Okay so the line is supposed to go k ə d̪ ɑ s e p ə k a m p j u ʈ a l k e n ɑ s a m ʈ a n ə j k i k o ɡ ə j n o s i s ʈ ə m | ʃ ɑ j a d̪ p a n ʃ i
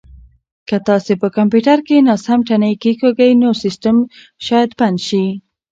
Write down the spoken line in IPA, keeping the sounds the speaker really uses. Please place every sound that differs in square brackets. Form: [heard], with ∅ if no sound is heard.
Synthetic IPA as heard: k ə [t̪] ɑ s e p ə k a m p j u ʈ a [ɾ] k e n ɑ s a m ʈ a n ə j k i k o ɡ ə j n o s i s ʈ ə m | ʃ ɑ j a d̪ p a n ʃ i